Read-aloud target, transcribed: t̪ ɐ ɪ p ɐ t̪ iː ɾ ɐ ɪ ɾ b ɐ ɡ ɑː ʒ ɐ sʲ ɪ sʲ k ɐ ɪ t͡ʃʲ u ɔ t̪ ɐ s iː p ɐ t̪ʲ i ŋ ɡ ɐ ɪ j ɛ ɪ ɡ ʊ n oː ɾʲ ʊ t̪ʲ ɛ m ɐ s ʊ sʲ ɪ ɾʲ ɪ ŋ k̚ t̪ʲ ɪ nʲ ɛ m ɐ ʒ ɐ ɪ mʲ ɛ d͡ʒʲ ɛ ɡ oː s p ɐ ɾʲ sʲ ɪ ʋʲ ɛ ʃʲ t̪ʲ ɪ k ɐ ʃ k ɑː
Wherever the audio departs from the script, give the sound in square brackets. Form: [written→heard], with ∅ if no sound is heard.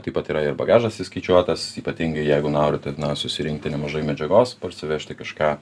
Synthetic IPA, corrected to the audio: t̪ ɐ ɪ p ɐ t̪ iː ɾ ɐ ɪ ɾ b ɐ ɡ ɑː ʒ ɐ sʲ ɪ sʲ k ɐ ɪ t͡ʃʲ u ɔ t̪ ɐ s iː p ɐ t̪ʲ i ŋ ɡ ɐ ɪ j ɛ ɪ ɡ ʊ n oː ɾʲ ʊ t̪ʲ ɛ [m→n] ɐ s ʊ sʲ ɪ ɾʲ ɪ ŋ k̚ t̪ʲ ɪ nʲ ɛ m ɐ ʒ ɐ ɪ mʲ ɛ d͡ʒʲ ɛ ɡ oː s p ɐ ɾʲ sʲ ɪ ʋʲ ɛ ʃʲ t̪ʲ ɪ k ɐ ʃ k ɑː